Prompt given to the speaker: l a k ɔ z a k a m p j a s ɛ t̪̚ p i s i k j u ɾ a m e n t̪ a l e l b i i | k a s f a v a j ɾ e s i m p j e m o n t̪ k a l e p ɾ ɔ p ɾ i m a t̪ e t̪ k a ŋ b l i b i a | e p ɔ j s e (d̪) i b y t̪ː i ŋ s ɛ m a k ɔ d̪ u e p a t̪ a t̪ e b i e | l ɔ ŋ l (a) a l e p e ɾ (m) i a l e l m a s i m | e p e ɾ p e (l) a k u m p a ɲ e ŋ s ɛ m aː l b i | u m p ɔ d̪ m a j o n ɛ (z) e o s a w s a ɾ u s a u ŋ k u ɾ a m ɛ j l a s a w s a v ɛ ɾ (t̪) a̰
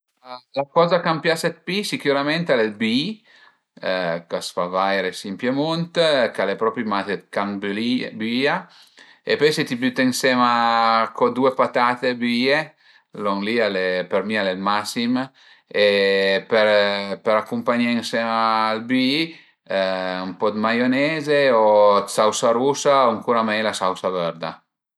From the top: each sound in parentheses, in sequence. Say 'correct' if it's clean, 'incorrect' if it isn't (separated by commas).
incorrect, incorrect, correct, incorrect, correct, incorrect